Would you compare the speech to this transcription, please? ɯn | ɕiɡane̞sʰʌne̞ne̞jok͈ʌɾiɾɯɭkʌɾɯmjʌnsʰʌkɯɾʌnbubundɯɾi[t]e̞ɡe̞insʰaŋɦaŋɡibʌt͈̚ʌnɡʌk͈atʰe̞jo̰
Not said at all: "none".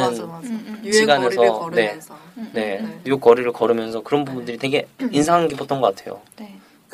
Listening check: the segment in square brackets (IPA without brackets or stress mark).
t